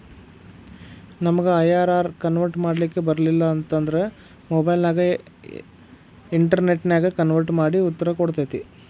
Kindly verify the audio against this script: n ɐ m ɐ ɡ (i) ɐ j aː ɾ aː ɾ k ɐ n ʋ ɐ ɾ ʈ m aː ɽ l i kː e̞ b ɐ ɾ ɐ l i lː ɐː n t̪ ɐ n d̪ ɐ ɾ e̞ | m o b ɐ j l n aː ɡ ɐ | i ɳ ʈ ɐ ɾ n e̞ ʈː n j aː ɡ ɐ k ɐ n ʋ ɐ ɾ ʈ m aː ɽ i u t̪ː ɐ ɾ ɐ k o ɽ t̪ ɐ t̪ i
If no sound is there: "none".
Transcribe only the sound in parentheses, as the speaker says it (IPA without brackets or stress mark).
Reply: e